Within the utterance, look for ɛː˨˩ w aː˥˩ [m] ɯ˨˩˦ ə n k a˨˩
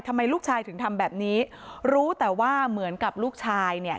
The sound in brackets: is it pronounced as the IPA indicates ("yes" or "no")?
yes